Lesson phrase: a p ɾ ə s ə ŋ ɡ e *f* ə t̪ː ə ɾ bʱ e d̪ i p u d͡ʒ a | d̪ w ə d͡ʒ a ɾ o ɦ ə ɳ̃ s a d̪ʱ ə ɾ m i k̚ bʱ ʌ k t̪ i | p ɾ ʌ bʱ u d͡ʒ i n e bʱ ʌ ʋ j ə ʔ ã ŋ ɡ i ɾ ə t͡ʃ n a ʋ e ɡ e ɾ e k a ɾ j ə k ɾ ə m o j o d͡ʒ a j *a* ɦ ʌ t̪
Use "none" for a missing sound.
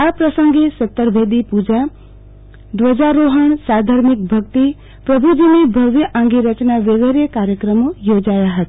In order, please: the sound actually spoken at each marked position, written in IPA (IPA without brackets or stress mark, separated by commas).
s, a